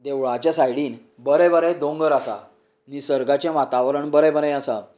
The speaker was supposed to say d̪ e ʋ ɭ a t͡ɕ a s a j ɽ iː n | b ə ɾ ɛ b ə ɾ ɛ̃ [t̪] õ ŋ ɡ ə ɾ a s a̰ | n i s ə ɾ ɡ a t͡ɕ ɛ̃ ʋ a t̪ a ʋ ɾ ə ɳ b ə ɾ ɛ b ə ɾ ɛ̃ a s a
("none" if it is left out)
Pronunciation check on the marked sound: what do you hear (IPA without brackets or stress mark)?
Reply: d̪